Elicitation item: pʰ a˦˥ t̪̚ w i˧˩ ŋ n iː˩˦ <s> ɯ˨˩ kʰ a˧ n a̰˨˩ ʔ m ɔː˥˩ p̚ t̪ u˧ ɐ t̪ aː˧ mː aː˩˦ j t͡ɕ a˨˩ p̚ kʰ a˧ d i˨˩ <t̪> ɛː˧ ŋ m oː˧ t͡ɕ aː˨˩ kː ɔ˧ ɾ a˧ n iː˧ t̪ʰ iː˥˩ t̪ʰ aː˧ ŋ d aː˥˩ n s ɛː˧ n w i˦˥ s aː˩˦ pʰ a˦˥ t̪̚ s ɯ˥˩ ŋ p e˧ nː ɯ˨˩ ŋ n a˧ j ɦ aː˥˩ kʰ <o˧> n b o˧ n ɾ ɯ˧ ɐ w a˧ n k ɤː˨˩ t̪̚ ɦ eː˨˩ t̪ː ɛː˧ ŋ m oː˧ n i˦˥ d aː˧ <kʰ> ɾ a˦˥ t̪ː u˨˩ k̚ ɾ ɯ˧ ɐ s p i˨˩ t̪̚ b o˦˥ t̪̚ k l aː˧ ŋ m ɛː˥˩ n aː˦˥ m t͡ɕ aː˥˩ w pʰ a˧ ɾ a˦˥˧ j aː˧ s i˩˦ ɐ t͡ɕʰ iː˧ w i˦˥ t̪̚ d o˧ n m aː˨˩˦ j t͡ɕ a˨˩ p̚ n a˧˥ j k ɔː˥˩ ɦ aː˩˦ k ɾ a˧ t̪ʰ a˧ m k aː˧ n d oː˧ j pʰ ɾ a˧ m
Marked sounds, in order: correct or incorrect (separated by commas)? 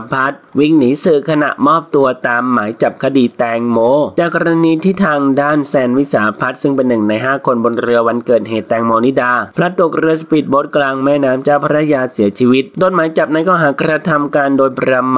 correct, correct, correct, incorrect